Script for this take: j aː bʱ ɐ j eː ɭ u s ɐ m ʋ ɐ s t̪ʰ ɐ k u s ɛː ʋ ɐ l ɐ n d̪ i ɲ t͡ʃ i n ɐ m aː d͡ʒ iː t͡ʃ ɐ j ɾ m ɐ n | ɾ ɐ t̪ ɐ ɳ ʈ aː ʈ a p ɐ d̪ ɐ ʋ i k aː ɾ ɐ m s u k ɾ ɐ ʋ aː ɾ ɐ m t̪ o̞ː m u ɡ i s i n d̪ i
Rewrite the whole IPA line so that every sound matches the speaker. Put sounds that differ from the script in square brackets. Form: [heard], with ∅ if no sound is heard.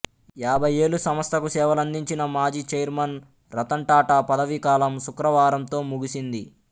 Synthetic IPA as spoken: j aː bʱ ɐ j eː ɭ u s ɐ m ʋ ɐ s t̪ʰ ɐ k u s ɛː ʋ ɐ l ɐ n d̪ i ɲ t͡ʃ i n ɐ m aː d͡ʒ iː t͡ʃ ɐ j ɾ m ɐ n | ɾ ɐ t̪ ɐ ɳ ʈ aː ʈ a p ɐ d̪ ɐ ʋ i k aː [l] ɐ m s u k ɾ ɐ ʋ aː ɾ ɐ m t̪ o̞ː m u ɡ i s i n d̪ i

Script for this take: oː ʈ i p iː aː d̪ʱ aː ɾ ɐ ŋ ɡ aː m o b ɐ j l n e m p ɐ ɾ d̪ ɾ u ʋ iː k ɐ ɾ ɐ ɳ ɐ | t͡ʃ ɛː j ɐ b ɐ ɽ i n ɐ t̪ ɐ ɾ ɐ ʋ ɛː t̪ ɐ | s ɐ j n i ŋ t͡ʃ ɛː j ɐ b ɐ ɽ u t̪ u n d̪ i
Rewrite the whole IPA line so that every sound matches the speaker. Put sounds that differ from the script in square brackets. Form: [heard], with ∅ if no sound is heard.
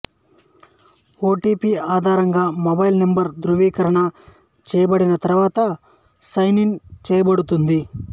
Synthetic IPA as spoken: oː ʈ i p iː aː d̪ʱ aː ɾ ɐ ŋ ɡ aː m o b ɐ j l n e m [b] ɐ ɾ d̪ ɾ u ʋ iː k ɐ ɾ ɐ ɳ ɐ | t͡ʃ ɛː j ɐ b ɐ ɽ i n ɐ t̪ ɐ ɾ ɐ ʋ [aː] t̪ ɐ | s ɐ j n i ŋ t͡ʃ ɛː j ɐ b ɐ ɽ u t̪ u n d̪ i

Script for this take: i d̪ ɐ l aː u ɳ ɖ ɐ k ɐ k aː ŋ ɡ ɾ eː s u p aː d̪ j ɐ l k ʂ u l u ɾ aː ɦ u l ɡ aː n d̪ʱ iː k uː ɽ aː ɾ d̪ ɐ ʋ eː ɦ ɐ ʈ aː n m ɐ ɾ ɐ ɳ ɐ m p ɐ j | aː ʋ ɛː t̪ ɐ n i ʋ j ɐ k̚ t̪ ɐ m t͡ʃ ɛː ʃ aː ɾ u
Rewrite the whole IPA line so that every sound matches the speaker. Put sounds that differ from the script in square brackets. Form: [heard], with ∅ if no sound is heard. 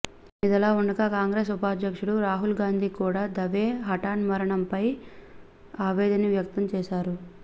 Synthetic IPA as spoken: i d̪ ɐ l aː u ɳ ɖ ɐ k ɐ k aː ŋ ɡ ɾ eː s u p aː d̪ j ɐ [∅] k ʂ u [ɽ] u ɾ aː ɦ u l ɡ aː n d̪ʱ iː k uː ɽ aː [∅] d̪ ɐ ʋ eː ɦ ɐ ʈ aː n m ɐ ɾ ɐ ɳ ɐ m p ɐ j | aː ʋ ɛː [d̪] ɐ n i ʋ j ɐ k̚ t̪ ɐ m t͡ʃ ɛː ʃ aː ɾ u

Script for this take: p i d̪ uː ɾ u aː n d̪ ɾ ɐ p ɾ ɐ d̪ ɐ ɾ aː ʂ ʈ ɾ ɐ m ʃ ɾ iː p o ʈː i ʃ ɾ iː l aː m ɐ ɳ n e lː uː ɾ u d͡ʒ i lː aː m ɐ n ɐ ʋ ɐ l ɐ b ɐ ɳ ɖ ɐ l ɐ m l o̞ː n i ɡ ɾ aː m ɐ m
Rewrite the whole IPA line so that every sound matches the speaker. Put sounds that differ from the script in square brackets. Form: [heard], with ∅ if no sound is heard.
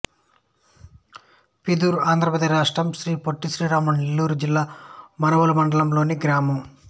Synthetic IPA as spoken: p i d̪ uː ɾ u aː n d̪ ɾ ɐ p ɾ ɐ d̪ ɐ ɾ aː ʂ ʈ ɾ ɐ m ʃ ɾ iː p o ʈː i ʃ ɾ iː [ɾ] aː m ɐ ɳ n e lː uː ɾ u d͡ʒ i lː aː m ɐ n ɐ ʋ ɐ l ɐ [m] ɐ ɳ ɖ ɐ l ɐ m l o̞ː n i ɡ ɾ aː m ɐ m

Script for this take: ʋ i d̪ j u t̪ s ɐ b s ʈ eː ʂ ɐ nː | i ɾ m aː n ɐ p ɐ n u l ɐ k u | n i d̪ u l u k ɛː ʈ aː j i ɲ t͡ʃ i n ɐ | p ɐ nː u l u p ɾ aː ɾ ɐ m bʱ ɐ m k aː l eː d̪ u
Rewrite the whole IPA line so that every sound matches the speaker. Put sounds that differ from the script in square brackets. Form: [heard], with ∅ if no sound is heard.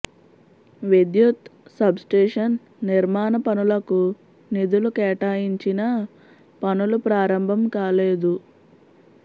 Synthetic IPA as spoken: ʋ i d̪ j u t̪ s ɐ b s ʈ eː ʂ ɐ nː | i ɾ m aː n ɐ p ɐ n u l ɐ k u | n i d̪ u l u k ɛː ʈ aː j i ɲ t͡ʃ i n ɐ | p ɐ [n] u l u p ɾ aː ɾ ɐ m bʱ ɐ m k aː l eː d̪ u

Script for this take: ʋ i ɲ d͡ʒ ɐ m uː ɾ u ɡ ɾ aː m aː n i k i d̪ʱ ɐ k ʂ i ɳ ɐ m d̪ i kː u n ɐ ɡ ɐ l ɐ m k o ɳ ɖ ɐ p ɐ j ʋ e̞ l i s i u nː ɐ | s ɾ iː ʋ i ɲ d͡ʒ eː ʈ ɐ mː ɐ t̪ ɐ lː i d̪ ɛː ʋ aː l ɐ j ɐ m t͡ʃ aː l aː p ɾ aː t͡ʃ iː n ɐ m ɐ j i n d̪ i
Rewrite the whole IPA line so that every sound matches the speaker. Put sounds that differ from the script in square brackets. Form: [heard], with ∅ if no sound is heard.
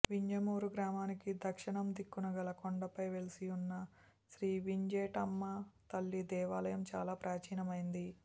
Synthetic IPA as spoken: ʋ i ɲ d͡ʒ ɐ m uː ɾ u ɡ ɾ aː m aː n i k i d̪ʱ ɐ k ʂ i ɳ ɐ m d̪ i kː u n ɐ ɡ ɐ l ɐ [∅] k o ɳ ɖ ɐ p ɐ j ʋ e̞ l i s i u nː ɐ | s ɾ iː ʋ i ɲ d͡ʒ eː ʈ ɐ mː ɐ t̪ ɐ lː i d̪ ɛː ʋ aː l ɐ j ɐ m t͡ʃ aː l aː p ɾ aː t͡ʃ iː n ɐ m ɐ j i n d̪ i

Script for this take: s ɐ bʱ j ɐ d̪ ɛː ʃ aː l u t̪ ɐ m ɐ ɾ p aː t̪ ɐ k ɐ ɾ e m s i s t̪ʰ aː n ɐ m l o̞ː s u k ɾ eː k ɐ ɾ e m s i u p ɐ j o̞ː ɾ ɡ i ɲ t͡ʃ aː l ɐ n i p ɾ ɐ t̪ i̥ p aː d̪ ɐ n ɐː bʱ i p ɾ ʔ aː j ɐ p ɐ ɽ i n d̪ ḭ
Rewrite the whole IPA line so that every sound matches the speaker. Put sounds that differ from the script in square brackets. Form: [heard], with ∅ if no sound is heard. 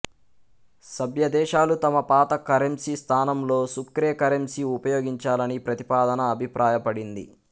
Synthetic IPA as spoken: s ɐ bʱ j ɐ d̪ ɛː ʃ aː l u t̪ ɐ m ɐ [∅] p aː t̪ ɐ k ɐ ɾ e m s i s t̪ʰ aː n ɐ m l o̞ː s u k ɾ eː k ɐ ɾ e m s i u p ɐ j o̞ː [∅] ɡ i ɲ t͡ʃ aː l ɐ n i p ɾ ɐ t̪ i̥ p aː d̪ ɐ n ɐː bʱ i p ɾ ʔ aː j ɐ p ɐ ɽ i n d̪ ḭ

